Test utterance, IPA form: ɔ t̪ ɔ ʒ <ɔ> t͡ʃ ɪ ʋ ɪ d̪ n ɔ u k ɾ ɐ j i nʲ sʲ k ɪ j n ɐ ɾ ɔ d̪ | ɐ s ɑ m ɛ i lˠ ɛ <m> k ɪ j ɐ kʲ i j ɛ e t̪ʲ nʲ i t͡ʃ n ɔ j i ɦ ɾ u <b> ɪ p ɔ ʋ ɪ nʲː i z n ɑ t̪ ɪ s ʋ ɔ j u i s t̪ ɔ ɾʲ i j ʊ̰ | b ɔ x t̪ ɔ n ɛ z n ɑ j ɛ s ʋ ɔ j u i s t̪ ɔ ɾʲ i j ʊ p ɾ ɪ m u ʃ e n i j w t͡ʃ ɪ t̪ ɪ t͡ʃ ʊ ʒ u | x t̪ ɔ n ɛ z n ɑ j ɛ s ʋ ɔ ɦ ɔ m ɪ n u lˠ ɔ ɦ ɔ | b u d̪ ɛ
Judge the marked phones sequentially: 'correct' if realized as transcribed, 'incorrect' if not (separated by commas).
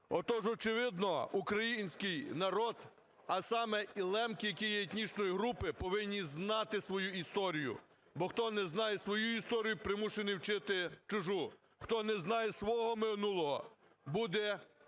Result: correct, correct, incorrect